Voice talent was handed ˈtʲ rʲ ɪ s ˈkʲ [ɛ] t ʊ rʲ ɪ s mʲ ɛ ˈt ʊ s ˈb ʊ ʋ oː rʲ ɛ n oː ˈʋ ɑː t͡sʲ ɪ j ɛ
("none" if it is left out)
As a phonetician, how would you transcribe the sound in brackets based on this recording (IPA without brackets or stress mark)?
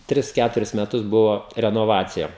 æ